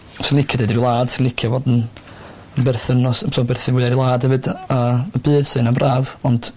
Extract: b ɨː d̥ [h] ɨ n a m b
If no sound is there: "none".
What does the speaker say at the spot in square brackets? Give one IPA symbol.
s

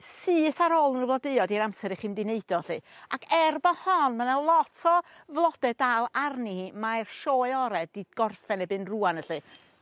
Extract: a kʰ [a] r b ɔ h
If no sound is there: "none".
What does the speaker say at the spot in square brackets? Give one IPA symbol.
ɛ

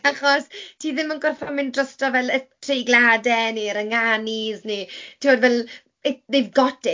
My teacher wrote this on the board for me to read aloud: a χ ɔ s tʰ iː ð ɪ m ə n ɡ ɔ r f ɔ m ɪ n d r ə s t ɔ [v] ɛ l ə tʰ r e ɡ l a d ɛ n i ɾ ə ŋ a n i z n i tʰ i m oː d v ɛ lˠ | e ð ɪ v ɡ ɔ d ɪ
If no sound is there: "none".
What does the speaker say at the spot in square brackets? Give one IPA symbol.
v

